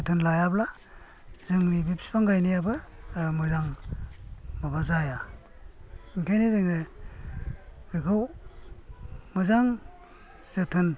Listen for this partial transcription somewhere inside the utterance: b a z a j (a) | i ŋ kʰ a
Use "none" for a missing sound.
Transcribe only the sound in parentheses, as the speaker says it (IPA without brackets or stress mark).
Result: a